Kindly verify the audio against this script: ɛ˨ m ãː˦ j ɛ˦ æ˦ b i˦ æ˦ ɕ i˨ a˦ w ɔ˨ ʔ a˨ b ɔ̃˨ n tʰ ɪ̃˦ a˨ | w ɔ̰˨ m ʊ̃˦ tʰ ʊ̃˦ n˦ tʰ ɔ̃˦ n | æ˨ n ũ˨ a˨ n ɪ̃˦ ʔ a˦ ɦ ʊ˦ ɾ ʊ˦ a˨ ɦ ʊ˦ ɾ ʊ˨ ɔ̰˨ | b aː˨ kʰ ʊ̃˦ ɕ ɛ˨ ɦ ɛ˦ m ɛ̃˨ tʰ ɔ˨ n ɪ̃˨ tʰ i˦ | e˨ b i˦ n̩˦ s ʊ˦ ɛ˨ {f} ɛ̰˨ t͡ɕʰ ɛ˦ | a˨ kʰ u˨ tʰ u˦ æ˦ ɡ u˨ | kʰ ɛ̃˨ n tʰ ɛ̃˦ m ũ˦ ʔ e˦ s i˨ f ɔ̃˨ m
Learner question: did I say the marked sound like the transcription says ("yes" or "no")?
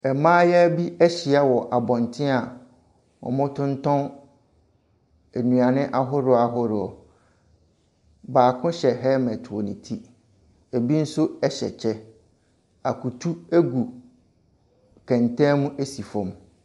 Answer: no